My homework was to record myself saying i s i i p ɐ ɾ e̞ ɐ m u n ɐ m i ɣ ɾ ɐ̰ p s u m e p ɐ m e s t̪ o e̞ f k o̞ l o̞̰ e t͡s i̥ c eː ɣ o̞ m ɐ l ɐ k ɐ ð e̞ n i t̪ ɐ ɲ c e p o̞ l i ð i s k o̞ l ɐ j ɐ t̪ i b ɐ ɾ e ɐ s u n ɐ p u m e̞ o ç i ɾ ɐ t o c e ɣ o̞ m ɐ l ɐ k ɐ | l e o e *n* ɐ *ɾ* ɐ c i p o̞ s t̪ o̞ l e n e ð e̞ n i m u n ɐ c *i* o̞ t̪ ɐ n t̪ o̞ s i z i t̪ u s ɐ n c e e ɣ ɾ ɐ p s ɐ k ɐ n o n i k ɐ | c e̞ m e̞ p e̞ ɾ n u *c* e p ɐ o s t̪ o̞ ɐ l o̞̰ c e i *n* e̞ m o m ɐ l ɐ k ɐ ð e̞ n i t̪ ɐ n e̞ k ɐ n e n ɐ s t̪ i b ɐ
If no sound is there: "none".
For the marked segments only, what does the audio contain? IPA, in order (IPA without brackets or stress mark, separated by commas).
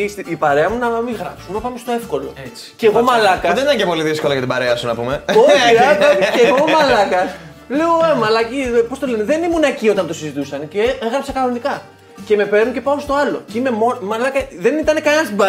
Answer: m, l, i, c, m